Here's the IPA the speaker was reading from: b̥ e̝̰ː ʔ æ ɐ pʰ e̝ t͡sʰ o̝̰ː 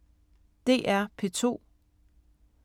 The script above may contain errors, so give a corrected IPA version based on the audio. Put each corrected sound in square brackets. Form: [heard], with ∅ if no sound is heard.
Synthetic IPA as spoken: [d̥] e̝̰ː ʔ æ ɐ pʰ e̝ t͡sʰ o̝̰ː